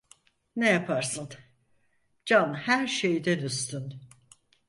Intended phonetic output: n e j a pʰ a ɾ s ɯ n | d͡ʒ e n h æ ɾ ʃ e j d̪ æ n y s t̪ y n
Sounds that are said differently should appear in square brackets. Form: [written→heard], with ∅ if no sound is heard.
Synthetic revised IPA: n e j a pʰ a ɾ s ɯ n | d͡ʒ [e→a] n h æ ɾ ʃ e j d̪ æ n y s t̪ y n